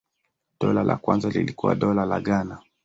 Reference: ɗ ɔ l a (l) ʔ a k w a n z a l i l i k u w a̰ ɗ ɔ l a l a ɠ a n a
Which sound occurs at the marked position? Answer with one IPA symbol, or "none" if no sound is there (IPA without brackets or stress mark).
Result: l